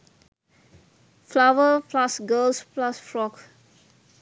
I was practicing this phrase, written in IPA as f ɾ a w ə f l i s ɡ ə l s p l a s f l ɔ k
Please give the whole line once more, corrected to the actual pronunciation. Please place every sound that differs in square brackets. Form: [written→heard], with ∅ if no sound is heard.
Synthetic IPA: f [ɾ→l] a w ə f l [i→a] s ɡ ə l s p l a s f [l→ɹ] ɔ k